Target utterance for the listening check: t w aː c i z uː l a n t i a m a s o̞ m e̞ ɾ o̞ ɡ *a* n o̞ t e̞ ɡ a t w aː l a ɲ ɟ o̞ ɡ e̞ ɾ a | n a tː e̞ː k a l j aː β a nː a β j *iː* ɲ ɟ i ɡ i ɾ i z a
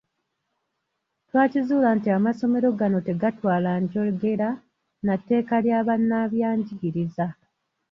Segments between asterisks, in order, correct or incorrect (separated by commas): correct, incorrect